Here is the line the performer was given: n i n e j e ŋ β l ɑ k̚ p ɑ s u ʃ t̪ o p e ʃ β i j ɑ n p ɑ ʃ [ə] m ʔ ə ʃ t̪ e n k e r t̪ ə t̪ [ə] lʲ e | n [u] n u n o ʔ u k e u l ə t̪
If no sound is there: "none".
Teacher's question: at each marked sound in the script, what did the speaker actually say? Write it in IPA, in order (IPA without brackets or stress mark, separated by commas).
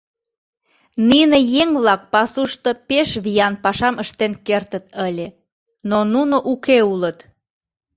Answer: ɑ, ə, o